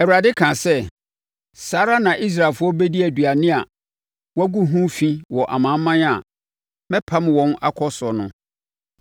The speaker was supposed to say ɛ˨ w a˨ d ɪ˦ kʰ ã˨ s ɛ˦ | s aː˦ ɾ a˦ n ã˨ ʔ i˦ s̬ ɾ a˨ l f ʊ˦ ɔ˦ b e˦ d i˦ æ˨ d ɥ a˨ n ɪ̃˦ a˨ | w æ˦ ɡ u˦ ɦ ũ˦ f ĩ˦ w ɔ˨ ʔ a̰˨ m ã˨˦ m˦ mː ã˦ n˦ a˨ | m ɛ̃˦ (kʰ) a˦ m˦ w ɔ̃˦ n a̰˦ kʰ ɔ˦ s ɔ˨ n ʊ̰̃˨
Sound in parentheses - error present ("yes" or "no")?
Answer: yes